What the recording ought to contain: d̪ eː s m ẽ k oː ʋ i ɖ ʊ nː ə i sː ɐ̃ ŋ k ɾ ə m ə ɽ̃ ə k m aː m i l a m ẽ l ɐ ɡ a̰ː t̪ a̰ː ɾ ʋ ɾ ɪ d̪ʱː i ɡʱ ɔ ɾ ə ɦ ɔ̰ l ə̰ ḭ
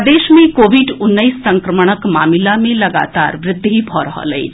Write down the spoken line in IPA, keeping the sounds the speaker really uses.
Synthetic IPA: d̪ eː ʃ m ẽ k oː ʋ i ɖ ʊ nː ə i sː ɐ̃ ŋ k ɾ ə m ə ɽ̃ ə k m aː m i l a m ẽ l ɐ ɡ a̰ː t̪ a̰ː ɾ ʋ ɾ ɪ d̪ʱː i bʱ ɔ ɾ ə ɦ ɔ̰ l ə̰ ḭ

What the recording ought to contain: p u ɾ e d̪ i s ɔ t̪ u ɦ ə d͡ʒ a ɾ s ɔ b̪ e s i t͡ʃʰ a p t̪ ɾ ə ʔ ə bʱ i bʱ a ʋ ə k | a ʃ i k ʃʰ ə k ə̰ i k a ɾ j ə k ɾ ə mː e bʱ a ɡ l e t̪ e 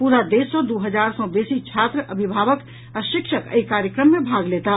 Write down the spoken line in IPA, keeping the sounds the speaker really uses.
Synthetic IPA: p u ɾ a d̪ e s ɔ d̪ u ɦ ə d͡ʒ a ɾ s ɔ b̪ e s i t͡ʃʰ a t̪ ɾ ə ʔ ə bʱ i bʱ a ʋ ə k | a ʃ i k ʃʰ ə k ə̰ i k a ɾ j ə k ɾ ə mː e bʱ a ɡ l e t̪ a

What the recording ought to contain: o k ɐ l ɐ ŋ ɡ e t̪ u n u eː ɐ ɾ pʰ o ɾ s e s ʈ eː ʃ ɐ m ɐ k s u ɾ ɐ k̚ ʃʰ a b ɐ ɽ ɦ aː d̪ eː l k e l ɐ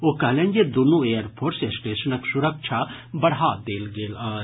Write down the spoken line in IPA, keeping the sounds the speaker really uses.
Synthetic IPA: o k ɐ l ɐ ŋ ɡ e d̪ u n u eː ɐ ɾ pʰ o ɾ s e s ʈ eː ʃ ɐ n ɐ k s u ɾ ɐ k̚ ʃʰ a b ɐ ɽ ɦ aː d̪ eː l ɡ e l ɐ

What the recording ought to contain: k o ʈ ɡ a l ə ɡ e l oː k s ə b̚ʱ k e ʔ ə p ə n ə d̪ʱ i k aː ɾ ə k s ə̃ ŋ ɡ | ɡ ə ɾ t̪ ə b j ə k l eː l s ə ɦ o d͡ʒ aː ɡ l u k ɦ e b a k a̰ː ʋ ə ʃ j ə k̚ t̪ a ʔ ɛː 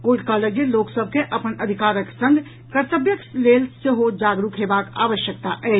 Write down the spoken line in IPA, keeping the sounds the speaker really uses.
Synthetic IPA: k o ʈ k a l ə ɡ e l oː k s ə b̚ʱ k e ʔ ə p ə n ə d̪ʱ i k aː ɾ ə k s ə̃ ŋ ɡ | k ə ɾ t̪ ə b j ə k l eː l s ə ɦ o d͡ʒ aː ɡ ɾ u k ɦ e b a k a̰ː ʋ ə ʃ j ə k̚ t̪ a ʔ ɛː

